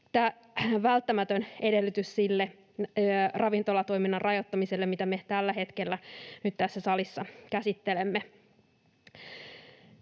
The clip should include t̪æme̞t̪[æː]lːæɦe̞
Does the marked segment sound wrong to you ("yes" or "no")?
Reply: yes